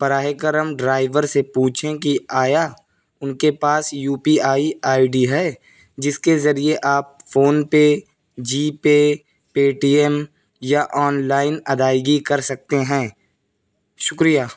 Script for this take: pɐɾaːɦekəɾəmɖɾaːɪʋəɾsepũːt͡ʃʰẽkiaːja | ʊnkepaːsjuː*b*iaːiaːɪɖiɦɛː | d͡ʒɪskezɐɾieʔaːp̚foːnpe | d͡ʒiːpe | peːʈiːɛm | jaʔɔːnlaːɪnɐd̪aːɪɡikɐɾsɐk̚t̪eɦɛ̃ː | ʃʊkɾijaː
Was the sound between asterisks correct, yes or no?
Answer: no